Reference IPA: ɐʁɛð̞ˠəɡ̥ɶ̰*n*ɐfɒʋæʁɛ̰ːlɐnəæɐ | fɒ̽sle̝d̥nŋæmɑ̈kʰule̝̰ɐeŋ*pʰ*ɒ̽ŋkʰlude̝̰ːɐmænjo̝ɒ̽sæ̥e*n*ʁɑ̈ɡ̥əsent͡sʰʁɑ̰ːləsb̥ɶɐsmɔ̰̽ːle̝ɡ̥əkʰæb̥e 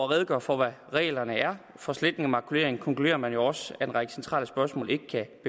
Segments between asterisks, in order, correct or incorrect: incorrect: none, incorrect: kʰ, correct

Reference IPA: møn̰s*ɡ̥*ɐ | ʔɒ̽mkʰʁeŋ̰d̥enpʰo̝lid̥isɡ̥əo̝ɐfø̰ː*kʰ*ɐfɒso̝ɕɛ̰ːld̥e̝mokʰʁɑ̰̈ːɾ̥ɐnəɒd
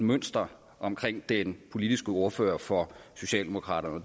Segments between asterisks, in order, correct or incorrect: incorrect: d̥, incorrect: none

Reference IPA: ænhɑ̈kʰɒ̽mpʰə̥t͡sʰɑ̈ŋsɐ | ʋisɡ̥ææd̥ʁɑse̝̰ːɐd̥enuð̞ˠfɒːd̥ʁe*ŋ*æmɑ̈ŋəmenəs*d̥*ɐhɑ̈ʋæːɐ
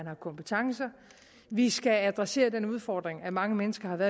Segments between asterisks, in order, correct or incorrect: correct, incorrect: ɡ̥

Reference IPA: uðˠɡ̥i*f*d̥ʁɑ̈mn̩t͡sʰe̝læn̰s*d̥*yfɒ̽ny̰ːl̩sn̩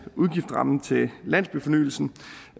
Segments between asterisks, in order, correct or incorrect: correct, incorrect: b̥

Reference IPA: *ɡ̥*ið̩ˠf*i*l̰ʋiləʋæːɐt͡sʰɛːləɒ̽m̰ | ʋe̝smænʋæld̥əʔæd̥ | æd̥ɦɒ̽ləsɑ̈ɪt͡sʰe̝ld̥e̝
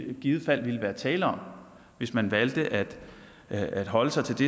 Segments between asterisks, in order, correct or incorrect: correct, incorrect: æ

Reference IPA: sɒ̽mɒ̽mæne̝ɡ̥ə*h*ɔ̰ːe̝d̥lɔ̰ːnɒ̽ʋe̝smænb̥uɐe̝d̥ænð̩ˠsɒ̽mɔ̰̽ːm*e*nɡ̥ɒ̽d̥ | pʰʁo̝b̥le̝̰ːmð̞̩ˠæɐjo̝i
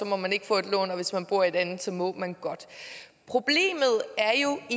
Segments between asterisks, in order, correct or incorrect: incorrect: f, incorrect: æ

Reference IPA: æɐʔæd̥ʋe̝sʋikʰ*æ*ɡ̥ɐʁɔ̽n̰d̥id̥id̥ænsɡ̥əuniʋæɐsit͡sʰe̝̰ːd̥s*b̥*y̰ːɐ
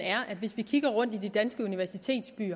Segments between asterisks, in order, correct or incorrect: incorrect: i, correct

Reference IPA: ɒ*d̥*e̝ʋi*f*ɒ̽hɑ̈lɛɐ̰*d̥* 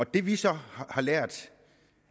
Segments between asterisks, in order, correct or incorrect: correct, incorrect: s, correct

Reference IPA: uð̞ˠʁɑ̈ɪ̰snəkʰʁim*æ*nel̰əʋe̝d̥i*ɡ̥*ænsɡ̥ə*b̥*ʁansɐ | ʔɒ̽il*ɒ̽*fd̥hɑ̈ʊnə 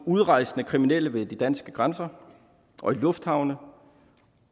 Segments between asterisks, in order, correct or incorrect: incorrect: i, incorrect: d̥, incorrect: ɡ̥, incorrect: ɔ̽

